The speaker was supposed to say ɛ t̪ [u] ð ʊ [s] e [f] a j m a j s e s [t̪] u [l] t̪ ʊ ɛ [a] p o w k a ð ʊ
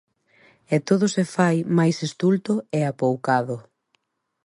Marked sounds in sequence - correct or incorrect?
incorrect: o, correct, correct, correct, correct, correct

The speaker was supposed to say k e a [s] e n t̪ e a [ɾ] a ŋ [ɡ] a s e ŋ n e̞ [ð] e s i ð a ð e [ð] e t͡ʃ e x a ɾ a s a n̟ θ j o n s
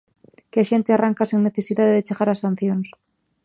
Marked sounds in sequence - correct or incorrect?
incorrect: ʃ, incorrect: r, incorrect: k, incorrect: θ, correct

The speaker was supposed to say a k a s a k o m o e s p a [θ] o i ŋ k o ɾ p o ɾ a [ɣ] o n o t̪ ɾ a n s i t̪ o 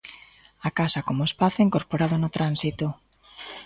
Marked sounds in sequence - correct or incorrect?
correct, incorrect: ð

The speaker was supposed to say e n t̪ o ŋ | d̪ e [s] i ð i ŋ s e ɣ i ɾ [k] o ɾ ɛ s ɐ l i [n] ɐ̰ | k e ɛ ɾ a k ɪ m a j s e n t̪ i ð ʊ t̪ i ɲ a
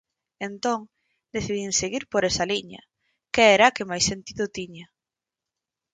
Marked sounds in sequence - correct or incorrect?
incorrect: θ, incorrect: p, incorrect: ɲ

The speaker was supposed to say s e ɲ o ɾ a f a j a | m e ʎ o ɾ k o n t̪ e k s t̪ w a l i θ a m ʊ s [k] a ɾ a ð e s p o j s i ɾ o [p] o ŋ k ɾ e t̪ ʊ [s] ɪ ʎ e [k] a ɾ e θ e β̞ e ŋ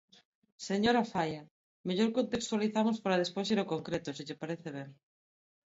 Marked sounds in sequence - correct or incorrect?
incorrect: p, incorrect: k, correct, incorrect: p

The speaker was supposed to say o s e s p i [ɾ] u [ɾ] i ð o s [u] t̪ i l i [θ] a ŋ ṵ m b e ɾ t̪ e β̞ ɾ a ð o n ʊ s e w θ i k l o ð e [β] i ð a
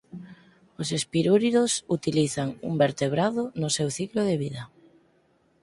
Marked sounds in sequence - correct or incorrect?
correct, correct, correct, correct, correct

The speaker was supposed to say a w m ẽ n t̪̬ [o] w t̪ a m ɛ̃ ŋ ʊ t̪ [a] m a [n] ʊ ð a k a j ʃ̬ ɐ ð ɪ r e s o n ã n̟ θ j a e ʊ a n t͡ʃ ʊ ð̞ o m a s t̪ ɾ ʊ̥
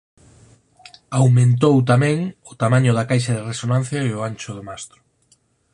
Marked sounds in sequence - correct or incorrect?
correct, correct, incorrect: ɲ

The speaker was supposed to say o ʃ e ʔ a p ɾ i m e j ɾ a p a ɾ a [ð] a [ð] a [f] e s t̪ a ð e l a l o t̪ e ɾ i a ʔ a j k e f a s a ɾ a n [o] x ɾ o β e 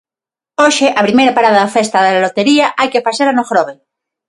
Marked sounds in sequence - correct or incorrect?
correct, correct, correct, correct

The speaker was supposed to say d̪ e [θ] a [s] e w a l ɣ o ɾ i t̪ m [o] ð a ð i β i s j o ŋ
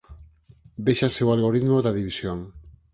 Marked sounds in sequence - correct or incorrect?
incorrect: ʃ, correct, correct

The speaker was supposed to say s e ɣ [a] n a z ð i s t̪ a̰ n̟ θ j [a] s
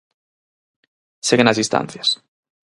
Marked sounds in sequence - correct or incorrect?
incorrect: e, correct

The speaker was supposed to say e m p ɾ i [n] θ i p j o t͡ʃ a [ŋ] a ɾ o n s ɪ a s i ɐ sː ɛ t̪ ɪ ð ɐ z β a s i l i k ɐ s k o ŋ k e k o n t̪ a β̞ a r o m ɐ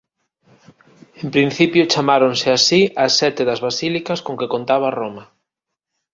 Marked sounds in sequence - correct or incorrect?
correct, incorrect: m

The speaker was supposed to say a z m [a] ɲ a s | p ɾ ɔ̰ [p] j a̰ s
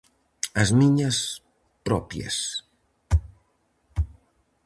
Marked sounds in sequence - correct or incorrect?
incorrect: i, correct

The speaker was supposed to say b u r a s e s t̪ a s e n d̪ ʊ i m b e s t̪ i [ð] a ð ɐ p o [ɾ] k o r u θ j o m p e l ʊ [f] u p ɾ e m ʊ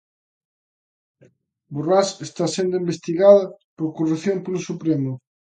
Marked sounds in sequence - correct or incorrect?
incorrect: ɣ, correct, incorrect: s

